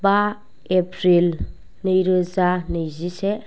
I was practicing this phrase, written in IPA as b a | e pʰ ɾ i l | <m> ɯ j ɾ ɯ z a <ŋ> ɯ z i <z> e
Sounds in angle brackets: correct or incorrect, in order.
incorrect: n, incorrect: n, incorrect: s

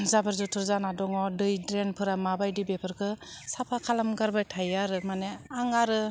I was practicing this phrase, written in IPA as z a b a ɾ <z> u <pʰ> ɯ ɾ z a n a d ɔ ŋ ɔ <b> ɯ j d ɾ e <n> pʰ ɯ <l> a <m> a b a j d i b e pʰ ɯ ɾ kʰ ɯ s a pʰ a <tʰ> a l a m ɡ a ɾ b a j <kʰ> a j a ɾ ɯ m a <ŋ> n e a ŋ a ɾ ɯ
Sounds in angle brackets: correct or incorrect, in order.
correct, incorrect: tʰ, incorrect: d, correct, incorrect: ɾ, correct, incorrect: kʰ, incorrect: tʰ, incorrect: none

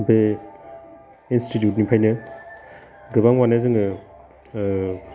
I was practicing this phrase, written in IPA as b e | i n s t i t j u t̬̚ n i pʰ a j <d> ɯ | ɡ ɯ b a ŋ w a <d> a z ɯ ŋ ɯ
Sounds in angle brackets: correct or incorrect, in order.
incorrect: n, incorrect: n

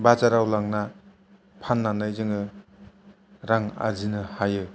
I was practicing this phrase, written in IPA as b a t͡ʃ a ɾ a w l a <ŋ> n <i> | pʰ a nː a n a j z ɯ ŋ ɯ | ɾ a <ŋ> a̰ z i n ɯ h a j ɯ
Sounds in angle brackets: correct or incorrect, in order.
correct, incorrect: a, correct

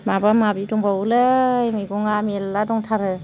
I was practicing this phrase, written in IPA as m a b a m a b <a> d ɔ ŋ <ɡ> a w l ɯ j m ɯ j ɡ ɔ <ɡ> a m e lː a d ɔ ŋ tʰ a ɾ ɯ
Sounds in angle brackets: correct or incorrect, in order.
incorrect: i, incorrect: b, incorrect: ŋ

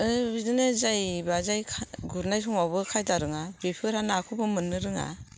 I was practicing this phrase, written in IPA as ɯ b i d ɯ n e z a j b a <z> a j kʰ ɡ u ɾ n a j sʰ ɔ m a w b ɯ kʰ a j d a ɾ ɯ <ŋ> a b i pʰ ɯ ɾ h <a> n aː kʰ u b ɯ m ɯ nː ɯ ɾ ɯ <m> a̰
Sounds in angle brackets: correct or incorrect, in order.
correct, correct, correct, incorrect: ŋ

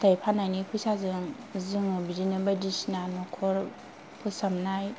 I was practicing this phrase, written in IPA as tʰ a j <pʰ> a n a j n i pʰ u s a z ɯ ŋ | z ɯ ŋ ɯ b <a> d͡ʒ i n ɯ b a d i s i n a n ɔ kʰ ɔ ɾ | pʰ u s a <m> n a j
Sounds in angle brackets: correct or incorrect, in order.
correct, incorrect: i, correct

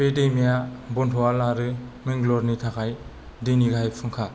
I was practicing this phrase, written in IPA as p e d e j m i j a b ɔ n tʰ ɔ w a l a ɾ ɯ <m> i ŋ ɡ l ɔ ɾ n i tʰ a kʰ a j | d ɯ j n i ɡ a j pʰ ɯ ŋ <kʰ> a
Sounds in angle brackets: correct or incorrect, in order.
correct, correct

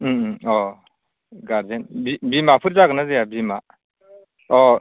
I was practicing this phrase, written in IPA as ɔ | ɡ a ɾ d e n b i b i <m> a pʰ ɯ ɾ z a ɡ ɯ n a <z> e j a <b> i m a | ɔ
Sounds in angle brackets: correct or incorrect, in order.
correct, correct, correct

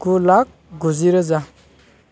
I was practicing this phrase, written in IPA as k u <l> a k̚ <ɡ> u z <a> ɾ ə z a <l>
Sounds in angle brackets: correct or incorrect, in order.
correct, correct, incorrect: i, incorrect: none

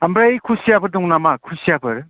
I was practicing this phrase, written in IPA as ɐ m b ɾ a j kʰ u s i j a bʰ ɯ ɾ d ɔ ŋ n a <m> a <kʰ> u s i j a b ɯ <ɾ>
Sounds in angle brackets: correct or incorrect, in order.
correct, correct, correct

